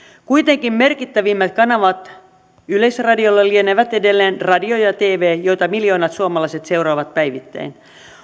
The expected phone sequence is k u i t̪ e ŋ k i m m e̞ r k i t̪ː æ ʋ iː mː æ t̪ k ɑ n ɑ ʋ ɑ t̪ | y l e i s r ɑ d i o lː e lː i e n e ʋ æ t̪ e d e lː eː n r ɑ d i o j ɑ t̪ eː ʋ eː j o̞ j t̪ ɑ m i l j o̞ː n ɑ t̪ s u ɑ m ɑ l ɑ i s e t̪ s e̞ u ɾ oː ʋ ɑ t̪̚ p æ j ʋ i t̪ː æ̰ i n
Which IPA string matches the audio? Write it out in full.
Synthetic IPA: k u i t̪ e ŋ k i m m e̞ r k i t̪ː æ ʋ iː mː æ t̪ k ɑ n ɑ ʋ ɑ t̪ | y l e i s r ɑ d i o lː e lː i e n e ʋ æ t̪ e d e lː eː n r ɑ d i o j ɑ t̪ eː ʋ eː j o̞ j t̪ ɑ m i l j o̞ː n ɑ t̪ s u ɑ m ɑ l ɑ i s e t̪ s e̞ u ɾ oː ʋ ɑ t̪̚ p æ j ʋ i t̪ː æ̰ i n